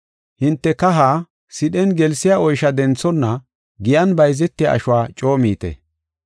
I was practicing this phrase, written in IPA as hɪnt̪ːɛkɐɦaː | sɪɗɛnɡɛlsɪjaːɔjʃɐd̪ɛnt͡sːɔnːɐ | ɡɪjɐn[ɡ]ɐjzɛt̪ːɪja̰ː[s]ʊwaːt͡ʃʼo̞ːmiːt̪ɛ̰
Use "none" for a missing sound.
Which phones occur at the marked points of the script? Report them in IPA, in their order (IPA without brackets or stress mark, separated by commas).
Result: b, ʃ